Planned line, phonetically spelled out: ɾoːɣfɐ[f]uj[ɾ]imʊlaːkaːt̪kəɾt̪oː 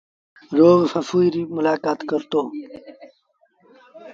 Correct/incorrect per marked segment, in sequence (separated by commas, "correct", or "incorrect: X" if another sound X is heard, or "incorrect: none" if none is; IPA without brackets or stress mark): correct, correct